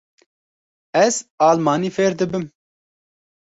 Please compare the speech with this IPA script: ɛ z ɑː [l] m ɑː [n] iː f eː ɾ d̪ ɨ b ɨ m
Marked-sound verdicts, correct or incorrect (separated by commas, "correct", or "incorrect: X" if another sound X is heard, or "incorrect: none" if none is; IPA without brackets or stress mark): correct, correct